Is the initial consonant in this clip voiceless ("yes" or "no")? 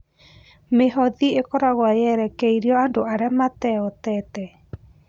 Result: no